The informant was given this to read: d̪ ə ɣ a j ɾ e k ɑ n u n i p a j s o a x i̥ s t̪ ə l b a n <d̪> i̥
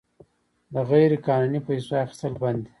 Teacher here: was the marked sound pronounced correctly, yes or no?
yes